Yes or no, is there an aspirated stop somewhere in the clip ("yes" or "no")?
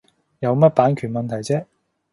yes